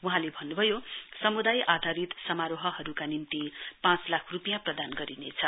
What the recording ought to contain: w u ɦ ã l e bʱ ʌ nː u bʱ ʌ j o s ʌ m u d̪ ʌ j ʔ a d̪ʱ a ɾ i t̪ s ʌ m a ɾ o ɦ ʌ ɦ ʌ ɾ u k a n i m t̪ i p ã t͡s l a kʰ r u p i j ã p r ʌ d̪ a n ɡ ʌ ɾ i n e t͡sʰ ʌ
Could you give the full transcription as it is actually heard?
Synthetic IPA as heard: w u ɦ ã l e bʱ ʌ nː u bʱ ʌ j o s ʌ m u d̪ a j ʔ a d̪ʱ a ɾ i t̪ s ʌ m a ɾ o ɦ ʌ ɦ ʌ ɾ u k a n i m t̪ i p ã t͡s l a kʰ r u p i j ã p r ʌ d̪ a n ɡ ʌ ɾ i n e t͡sʰ ʌ